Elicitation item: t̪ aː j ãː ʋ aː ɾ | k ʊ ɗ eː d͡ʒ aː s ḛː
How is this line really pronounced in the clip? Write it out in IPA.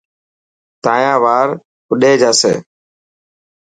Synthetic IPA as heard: t̪ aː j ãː ʋ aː ɾ | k ʊ ɗ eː d͡ʒ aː s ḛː